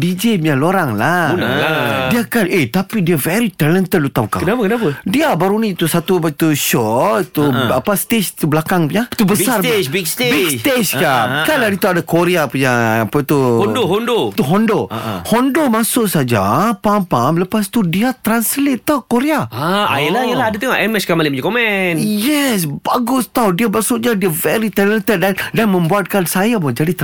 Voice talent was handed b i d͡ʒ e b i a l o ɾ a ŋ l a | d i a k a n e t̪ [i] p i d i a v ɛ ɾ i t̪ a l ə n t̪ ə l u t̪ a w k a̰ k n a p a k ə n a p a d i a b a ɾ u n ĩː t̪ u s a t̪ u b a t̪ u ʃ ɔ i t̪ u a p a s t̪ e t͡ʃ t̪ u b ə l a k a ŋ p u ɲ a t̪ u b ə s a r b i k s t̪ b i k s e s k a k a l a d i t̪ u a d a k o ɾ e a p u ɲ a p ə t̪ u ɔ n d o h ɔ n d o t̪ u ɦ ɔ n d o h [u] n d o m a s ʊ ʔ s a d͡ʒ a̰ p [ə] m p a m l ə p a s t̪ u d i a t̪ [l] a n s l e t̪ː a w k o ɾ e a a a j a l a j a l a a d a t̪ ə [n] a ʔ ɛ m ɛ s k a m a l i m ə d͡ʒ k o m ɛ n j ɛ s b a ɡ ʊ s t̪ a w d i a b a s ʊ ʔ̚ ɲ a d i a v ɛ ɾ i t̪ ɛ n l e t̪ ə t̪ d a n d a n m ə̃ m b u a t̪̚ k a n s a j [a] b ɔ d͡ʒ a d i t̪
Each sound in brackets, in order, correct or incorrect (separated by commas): incorrect, incorrect, incorrect, incorrect, incorrect, correct